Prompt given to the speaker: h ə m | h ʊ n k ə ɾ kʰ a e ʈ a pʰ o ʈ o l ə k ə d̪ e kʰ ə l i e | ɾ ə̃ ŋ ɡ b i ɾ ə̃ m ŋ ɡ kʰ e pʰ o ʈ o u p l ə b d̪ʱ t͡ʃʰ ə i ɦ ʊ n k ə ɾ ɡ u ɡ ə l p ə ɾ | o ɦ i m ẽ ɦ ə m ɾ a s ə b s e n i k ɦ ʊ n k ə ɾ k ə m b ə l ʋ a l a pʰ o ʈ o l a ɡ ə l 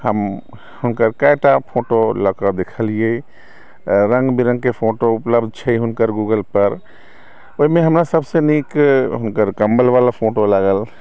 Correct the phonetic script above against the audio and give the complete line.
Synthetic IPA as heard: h ə m | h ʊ n k ə ɾ k a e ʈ a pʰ o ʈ o l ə k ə d̪ e kʰ ə l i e | ɾ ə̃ ŋ ɡ b i ɾ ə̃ ŋ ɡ k e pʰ o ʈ o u p l ə b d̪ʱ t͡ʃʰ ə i ɦ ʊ n k ə ɾ ɡ u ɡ ə l p ə ɾ | o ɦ i m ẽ ɦ ə m ɾ a s ə b s e n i k ɦ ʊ n k ə ɾ k ə m b ə l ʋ a l a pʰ o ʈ o l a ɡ ə l